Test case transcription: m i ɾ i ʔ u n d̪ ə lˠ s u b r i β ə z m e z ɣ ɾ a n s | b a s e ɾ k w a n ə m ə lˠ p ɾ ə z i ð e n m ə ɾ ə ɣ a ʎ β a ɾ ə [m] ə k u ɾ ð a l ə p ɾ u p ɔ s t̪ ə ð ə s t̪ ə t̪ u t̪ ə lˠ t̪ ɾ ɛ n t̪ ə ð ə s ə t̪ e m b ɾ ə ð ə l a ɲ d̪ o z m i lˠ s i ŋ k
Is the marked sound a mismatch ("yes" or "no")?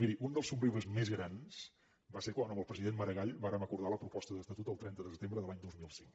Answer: no